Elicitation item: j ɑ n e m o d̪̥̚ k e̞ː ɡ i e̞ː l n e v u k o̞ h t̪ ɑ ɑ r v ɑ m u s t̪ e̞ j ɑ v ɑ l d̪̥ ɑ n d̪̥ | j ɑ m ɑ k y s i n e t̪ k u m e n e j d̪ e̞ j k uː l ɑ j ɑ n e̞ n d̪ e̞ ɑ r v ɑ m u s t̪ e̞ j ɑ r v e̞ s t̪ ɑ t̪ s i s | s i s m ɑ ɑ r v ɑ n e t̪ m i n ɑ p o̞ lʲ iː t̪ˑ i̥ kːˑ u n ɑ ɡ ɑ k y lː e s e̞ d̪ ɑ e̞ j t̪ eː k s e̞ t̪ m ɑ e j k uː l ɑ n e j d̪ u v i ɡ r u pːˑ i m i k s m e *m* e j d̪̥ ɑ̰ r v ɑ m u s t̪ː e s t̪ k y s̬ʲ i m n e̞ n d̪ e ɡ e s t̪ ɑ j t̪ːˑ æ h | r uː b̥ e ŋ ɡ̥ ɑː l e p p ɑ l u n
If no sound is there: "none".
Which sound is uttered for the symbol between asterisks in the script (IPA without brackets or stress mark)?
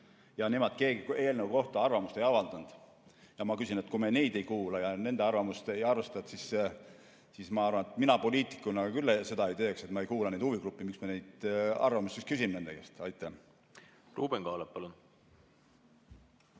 n